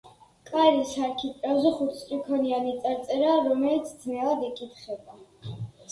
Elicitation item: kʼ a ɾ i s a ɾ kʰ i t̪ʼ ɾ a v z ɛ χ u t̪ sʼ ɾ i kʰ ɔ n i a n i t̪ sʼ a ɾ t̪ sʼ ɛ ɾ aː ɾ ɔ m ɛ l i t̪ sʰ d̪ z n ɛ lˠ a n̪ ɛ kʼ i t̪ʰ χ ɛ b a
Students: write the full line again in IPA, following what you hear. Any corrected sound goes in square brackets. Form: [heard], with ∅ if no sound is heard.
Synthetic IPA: kʼ a ɾ i s a ɾ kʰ i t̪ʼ ɾ a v z ɛ χ u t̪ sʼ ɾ i kʰ ɔ n i a n i t̪ sʼ a ɾ t̪ sʼ ɛ ɾ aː ɾ ɔ m ɛ l i t̪ sʰ d̪ z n ɛ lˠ a [d̪] ɛ kʼ i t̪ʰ χ ɛ b a